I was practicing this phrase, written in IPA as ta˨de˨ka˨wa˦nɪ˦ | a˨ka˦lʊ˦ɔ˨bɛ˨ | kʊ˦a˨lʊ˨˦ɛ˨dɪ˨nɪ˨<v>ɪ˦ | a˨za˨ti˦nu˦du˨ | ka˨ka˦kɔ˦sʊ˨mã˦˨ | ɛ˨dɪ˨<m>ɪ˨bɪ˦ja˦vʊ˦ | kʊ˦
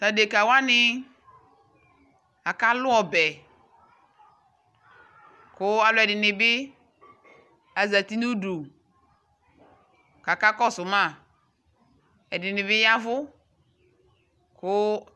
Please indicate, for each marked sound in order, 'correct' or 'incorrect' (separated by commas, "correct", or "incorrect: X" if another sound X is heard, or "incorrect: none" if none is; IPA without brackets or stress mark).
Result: incorrect: b, incorrect: n